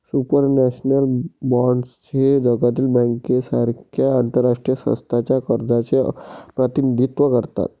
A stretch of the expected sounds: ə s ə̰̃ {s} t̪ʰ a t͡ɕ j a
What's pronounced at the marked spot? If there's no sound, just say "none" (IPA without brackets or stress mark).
s